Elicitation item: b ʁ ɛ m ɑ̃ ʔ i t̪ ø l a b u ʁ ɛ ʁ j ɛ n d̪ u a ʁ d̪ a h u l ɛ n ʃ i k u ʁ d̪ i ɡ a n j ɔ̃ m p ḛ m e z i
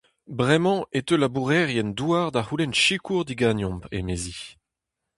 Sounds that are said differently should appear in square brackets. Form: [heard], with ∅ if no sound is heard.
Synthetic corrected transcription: b ʁ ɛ m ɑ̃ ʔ [e] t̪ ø l a b u ʁ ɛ ʁ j ɛ n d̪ u a ʁ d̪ a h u l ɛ n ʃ i k u ʁ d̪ i ɡ a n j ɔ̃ m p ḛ m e z i